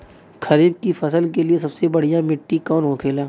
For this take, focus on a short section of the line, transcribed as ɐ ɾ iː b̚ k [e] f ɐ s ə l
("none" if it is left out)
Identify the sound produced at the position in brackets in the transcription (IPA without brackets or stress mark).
i